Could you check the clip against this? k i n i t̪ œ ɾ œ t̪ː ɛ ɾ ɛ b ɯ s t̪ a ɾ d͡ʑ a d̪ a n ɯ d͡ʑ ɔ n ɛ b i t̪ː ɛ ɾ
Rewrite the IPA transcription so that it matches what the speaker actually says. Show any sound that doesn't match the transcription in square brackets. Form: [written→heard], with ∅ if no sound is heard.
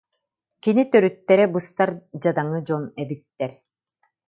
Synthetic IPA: k i n i t̪ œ ɾ [œ→y] t̪ː ɛ ɾ ɛ b ɯ s t̪ a ɾ d͡ʑ a d̪ a [n→ŋ] ɯ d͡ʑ ɔ n ɛ b i t̪ː ɛ ɾ